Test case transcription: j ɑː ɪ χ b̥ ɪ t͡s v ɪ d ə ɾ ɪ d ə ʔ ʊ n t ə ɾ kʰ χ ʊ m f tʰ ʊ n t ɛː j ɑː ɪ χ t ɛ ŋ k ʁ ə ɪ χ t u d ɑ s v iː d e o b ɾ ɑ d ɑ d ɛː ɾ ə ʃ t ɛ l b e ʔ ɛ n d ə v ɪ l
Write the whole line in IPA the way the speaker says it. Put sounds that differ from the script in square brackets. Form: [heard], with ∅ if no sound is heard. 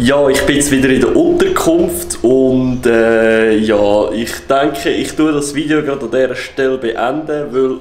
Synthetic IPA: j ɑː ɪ χ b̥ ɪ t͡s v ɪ d ə ɾ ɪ d ə ʔ ʊ n t ə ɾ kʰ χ ʊ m f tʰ ʊ n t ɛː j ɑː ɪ χ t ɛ ŋ k [χ] ə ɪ χ t u d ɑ s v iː d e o [ɡ] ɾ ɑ d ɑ d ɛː ɾ ə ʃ t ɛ l b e ʔ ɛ n d ə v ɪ l